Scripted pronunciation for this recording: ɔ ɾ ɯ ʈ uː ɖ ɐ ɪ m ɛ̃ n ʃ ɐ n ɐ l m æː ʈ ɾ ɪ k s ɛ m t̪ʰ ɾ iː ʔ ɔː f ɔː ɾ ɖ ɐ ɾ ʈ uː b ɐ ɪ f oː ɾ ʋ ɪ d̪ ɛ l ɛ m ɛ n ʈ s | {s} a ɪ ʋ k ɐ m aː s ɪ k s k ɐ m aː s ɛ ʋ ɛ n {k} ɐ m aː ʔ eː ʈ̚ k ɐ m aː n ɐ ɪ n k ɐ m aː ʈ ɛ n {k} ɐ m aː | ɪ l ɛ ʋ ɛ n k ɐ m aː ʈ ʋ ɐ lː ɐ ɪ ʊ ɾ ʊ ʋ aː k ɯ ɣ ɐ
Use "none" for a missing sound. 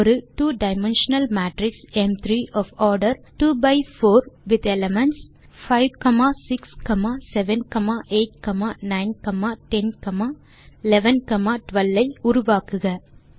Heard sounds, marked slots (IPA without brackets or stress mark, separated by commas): f, k, k